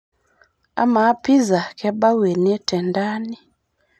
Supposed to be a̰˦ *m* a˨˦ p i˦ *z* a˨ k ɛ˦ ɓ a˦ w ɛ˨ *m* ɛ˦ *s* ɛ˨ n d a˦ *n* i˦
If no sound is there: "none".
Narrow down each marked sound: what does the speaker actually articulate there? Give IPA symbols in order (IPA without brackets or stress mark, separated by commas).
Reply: m, z, n, t, n